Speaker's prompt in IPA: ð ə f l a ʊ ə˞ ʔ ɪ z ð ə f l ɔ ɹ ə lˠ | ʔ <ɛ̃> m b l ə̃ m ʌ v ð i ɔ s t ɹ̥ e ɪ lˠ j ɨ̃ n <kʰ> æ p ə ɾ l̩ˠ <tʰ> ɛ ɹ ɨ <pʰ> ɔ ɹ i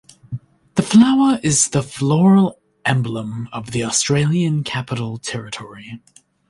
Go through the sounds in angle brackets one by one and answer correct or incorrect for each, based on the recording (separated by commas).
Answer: correct, correct, correct, incorrect